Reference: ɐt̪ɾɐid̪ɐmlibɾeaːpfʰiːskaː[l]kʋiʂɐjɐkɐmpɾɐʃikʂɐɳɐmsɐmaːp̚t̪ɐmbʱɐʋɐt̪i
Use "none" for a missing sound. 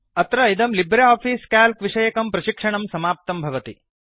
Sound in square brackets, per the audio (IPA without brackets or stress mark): l